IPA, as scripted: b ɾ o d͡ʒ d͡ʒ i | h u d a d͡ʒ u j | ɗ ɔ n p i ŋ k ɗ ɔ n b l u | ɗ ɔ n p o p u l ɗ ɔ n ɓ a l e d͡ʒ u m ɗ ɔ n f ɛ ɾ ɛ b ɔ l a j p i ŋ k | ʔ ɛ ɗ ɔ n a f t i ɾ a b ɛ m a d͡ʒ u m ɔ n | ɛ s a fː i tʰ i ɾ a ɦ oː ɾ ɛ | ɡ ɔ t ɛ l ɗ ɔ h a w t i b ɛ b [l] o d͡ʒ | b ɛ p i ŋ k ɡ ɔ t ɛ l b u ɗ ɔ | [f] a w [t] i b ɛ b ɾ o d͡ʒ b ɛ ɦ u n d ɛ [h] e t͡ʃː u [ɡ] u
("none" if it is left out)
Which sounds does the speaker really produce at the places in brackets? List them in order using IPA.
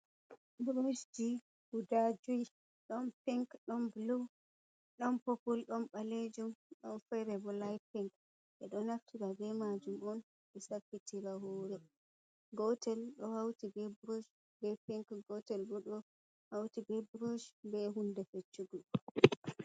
ɾ, h, t, f, ɡ

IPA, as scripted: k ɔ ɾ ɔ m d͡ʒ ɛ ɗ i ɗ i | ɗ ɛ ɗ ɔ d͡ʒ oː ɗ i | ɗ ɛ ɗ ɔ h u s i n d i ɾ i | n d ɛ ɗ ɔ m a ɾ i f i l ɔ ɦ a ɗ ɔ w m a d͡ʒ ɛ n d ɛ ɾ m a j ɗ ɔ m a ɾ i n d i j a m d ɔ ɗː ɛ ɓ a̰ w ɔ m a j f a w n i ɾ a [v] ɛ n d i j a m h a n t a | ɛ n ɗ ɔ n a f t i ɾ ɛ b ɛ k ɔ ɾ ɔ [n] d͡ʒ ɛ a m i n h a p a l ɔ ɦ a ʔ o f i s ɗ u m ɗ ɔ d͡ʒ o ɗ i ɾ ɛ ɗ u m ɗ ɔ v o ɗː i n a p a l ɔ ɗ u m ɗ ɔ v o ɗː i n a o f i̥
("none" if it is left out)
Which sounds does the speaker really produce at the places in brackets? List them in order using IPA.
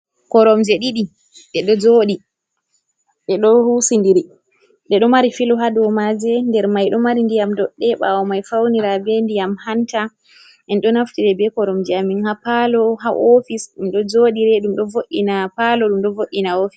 b, m

